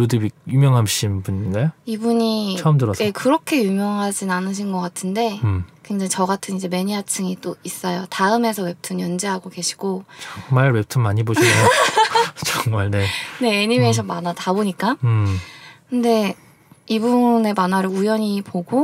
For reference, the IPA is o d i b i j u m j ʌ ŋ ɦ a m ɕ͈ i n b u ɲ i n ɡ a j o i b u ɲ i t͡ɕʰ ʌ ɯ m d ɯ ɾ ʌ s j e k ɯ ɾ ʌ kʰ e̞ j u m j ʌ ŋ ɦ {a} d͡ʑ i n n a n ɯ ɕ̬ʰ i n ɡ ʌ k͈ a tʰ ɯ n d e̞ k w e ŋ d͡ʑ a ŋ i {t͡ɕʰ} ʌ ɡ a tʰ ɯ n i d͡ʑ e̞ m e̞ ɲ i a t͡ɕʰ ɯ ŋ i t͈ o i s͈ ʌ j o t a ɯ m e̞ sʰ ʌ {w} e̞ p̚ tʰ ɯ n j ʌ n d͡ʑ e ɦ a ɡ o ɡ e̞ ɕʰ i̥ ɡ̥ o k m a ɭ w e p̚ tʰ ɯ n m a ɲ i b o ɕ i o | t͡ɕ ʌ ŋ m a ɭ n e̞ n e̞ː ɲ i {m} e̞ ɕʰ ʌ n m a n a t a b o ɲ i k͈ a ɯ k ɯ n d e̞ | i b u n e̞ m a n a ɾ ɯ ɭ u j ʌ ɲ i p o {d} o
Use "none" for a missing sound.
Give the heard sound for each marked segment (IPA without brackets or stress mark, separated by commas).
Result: a, t͡ɕ, w, m, ɡ